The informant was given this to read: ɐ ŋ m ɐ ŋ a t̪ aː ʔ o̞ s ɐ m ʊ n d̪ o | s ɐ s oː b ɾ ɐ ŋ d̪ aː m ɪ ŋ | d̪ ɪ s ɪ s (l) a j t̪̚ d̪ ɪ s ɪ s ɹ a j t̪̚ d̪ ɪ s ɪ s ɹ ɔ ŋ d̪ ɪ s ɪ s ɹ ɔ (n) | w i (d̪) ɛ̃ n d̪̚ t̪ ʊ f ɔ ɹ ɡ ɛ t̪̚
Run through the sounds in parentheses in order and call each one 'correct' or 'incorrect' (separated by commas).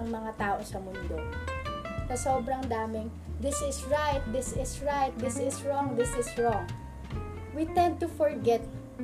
incorrect, incorrect, incorrect